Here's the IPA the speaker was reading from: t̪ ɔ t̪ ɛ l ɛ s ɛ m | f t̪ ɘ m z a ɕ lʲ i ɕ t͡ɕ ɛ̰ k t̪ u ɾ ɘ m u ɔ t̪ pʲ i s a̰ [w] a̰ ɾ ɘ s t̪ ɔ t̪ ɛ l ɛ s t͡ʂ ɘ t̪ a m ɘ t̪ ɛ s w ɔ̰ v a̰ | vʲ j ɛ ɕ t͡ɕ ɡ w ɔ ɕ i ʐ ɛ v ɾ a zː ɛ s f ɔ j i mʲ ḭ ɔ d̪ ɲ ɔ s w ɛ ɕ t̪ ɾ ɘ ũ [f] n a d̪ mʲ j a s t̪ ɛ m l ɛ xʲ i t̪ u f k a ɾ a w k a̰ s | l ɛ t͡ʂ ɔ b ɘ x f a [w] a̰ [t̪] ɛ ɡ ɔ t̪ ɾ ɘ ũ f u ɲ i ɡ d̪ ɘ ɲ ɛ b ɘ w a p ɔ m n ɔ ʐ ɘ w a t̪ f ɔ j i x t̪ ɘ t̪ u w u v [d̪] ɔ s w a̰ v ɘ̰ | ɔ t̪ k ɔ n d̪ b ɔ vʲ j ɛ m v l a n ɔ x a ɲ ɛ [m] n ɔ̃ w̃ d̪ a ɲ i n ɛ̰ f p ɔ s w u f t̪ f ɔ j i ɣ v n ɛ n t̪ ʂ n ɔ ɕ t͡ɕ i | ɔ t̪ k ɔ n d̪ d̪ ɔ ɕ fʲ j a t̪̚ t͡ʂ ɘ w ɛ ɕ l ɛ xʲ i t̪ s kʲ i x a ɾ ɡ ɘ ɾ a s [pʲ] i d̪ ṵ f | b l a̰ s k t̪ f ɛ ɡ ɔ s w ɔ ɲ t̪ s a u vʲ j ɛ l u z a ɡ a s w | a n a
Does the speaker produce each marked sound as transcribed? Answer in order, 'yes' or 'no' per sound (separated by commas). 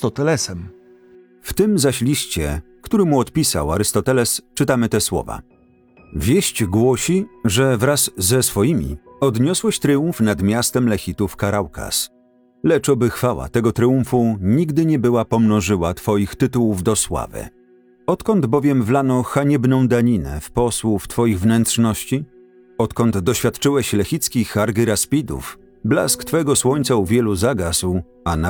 yes, yes, yes, yes, yes, no, yes